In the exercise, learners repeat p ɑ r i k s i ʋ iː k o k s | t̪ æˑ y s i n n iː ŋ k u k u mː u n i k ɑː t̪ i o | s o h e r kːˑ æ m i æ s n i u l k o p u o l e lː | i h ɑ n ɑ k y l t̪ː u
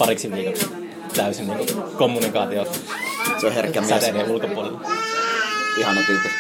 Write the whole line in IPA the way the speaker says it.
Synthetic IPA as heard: p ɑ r i k s i ʋ iː k o k s | t̪ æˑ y s i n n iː ŋ k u k o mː u n i k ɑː t̪ i o | s o h e r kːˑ æ m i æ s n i u l k o p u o l e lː | i h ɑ n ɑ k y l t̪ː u